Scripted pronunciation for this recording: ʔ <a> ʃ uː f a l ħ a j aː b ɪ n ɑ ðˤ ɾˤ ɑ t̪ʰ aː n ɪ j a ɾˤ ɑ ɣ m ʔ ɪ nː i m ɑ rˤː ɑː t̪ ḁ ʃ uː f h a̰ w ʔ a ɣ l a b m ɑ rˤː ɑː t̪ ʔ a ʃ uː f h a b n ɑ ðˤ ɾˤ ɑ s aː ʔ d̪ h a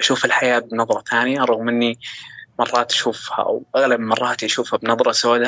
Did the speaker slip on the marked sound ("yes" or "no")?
no